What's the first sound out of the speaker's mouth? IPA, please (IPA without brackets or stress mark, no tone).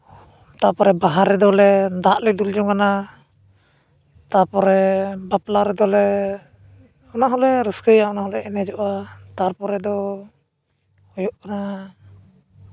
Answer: t̪